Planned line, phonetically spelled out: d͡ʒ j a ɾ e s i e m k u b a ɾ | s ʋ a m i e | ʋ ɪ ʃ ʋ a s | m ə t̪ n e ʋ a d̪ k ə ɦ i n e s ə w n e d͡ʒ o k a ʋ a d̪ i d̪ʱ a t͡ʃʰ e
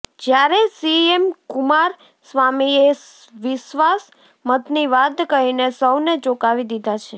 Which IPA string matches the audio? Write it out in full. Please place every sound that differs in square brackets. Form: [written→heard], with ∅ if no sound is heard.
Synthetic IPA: d͡ʒ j a ɾ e s i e m k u [b→m] a ɾ | s ʋ a m i e | ʋ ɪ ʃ ʋ a s | m ə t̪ n [e→i] ʋ a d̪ k ə ɦ i n e s ə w n e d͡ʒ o k a ʋ [a→i] d̪ i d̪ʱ a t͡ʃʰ e